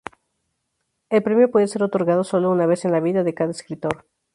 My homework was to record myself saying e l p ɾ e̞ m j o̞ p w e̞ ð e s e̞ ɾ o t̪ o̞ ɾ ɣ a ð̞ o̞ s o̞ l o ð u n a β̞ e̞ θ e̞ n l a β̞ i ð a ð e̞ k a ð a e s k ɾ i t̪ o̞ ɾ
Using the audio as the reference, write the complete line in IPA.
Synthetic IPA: e l p ɾ e̞ m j o̞ p w e̞ ð e s e̞ ɾ o t̪ o̞ ɾ ɣ a ð̞ o̞ s o̞ l o u n a β̞ e̞ s e̞ n l a β̞ i ð a ð e̞ k a ð a e s k ɾ i t̪ o̞ ɾ